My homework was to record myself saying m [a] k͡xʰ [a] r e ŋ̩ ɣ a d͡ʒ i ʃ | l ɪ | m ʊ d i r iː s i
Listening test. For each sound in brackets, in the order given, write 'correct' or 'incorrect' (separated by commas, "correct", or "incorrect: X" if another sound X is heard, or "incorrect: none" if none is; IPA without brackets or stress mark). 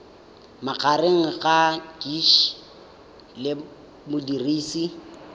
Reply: correct, correct